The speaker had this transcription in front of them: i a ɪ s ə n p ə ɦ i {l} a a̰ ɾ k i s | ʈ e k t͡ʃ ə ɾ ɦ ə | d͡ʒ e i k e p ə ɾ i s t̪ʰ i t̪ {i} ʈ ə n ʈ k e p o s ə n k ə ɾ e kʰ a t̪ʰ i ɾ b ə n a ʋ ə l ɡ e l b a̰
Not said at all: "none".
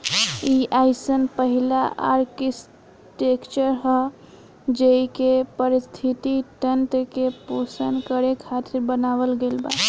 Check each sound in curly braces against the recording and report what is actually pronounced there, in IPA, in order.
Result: l, i

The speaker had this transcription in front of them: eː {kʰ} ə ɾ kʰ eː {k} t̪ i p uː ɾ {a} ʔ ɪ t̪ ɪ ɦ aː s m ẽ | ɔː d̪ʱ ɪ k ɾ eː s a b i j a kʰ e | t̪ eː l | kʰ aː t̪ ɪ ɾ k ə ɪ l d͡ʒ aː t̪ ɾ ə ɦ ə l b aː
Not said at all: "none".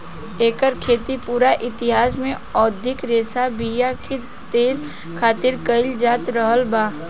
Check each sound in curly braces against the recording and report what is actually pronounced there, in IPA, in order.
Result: k, none, a

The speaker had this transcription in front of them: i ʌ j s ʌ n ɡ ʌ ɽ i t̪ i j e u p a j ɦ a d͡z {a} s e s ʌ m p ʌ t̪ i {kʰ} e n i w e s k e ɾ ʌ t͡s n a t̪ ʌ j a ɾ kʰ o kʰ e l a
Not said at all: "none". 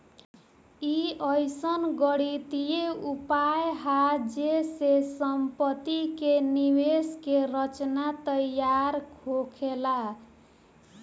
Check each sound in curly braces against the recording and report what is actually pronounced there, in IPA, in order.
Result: e, k

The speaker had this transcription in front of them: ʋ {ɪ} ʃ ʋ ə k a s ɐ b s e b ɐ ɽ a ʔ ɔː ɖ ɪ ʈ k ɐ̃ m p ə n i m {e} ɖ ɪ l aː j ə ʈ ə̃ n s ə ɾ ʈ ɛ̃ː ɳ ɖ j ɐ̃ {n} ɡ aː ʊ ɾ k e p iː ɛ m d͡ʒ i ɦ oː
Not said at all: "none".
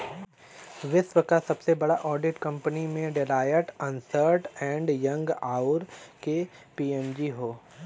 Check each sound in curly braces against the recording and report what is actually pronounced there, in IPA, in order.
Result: ɪ, ẽ, ŋ

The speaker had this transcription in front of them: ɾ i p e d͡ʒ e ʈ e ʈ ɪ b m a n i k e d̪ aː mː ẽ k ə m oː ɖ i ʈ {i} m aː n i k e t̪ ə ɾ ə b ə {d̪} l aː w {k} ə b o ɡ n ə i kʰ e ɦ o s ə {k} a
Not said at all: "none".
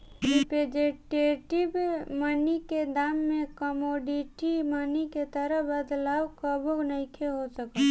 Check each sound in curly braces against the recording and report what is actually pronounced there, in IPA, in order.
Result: i, d̪, k, k

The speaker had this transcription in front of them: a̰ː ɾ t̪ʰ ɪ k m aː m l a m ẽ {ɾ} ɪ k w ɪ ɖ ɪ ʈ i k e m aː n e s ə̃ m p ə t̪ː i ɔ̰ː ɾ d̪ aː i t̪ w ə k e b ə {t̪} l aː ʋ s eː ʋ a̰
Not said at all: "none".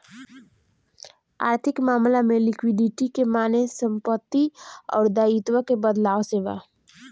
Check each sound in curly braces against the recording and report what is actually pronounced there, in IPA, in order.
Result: l, d̪

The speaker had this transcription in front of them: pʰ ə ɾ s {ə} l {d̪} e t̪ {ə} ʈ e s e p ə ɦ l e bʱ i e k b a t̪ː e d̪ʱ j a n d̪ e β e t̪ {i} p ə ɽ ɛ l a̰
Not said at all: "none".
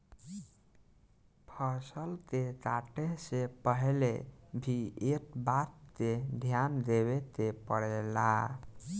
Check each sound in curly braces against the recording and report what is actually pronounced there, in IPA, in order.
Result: ə, t̪, a, e

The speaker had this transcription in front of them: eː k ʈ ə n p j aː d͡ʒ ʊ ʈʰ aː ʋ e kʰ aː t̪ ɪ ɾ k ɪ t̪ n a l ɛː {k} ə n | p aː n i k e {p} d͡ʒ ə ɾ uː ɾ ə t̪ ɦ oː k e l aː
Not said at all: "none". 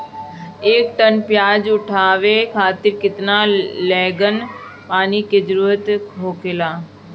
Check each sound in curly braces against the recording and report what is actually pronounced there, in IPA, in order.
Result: ɡ, none

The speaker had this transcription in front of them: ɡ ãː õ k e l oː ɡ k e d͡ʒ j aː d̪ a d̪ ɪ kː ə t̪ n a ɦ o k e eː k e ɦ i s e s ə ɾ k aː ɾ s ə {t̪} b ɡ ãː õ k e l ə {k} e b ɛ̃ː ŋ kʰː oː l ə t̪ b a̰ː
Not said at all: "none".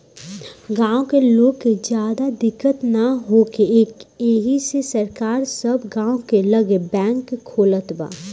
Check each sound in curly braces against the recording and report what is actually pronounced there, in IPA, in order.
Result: none, ɡ

